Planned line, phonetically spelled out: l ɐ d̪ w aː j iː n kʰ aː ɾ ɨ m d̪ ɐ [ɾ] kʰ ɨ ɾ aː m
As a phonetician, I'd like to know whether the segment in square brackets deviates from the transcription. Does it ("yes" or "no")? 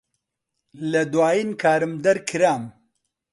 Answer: no